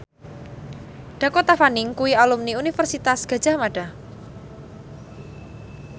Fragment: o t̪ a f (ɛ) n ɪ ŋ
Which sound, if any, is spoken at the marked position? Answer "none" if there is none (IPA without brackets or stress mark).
a